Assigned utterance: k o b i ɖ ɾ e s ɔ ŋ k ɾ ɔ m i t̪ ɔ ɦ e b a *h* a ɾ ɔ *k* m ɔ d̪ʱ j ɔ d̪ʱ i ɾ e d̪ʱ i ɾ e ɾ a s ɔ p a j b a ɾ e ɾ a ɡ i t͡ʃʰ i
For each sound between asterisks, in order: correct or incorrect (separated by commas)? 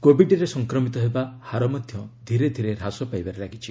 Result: correct, incorrect